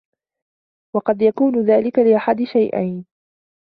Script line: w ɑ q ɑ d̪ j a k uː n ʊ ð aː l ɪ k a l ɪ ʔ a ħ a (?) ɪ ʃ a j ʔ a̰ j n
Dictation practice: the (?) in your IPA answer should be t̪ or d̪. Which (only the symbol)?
d̪